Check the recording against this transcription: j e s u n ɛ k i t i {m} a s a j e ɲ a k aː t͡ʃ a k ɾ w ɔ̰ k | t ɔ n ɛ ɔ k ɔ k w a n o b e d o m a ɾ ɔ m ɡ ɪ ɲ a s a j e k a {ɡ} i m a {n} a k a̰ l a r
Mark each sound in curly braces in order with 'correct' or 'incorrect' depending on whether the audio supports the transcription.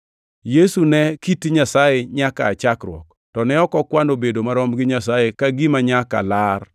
incorrect: ɲ, correct, incorrect: ɲ

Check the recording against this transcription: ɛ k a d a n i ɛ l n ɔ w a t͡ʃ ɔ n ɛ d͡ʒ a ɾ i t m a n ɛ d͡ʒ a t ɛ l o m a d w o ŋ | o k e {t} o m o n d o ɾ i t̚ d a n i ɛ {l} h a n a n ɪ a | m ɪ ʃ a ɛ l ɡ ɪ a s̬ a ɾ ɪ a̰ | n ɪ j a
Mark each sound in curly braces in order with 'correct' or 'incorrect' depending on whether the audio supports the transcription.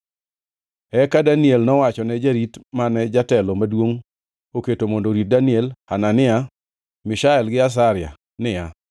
correct, correct

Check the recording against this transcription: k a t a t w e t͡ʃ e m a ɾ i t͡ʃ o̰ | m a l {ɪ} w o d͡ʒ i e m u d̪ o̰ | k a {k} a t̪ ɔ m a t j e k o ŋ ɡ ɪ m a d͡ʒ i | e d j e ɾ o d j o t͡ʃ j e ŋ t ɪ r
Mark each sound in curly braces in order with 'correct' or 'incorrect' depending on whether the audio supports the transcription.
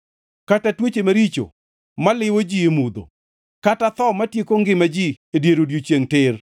correct, incorrect: t

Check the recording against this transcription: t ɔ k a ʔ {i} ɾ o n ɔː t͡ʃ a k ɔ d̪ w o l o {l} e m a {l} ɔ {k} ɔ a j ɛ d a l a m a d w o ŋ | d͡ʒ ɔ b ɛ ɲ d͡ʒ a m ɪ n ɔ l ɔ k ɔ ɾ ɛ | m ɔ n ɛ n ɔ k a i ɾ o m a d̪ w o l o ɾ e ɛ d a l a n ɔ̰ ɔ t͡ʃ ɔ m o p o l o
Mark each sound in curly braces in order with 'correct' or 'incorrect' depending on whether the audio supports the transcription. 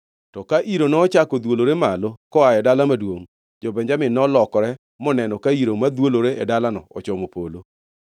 correct, incorrect: ɾ, correct, correct

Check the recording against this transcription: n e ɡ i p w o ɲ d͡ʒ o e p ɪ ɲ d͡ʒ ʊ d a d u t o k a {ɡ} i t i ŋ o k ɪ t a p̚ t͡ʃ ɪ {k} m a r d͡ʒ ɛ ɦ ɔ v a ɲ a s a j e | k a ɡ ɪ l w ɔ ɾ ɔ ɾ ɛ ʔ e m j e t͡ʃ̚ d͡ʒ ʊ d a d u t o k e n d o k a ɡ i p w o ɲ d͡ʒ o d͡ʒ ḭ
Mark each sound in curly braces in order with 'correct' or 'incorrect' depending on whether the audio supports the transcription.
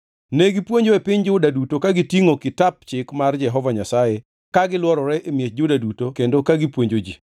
correct, correct

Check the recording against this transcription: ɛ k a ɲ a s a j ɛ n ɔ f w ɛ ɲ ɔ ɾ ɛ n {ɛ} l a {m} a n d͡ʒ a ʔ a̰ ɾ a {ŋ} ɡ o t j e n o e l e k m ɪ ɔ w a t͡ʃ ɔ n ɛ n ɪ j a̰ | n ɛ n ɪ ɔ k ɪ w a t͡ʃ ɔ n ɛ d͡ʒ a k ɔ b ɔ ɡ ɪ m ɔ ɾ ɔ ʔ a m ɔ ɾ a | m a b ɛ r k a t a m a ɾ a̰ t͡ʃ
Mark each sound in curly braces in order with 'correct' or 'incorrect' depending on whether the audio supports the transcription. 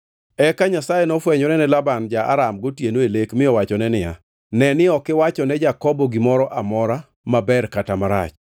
correct, incorrect: b, incorrect: m

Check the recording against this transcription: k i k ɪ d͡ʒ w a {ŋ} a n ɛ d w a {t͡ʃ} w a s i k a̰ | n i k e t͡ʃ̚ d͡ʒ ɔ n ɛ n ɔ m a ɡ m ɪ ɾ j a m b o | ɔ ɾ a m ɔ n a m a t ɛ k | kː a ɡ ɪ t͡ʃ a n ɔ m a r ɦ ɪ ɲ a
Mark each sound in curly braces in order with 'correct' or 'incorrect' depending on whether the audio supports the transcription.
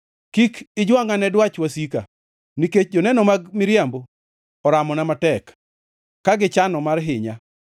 correct, correct

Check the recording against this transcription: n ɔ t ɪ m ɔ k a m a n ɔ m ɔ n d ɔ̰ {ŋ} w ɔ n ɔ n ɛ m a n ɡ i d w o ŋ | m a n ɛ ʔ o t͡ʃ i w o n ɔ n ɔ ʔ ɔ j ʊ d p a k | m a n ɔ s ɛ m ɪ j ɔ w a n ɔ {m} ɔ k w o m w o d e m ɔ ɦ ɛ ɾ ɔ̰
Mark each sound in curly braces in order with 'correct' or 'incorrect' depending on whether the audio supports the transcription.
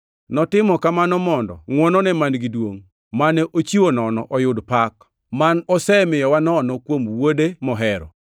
correct, incorrect: n

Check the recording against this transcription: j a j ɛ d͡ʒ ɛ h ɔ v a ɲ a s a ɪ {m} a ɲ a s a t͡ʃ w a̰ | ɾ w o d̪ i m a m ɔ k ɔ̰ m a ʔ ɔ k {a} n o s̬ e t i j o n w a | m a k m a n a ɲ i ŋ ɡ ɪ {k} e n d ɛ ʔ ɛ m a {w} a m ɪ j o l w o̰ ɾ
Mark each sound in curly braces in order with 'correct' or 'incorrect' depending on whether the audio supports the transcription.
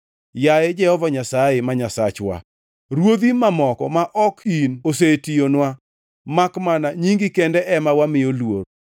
correct, incorrect: i, correct, correct

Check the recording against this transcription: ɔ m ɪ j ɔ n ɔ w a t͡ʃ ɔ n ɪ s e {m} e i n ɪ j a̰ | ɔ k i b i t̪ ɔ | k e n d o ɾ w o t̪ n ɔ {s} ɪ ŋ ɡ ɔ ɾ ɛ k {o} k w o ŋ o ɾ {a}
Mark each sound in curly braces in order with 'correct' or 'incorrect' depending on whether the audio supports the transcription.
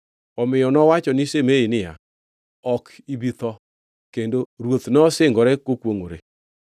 correct, correct, correct, incorrect: e

